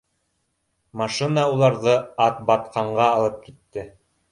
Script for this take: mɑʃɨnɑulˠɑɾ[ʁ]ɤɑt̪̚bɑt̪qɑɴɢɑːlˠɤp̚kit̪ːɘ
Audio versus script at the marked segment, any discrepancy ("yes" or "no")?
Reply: yes